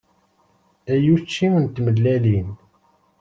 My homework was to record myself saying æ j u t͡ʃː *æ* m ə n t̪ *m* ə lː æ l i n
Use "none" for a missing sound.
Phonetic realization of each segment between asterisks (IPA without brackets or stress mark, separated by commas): i, m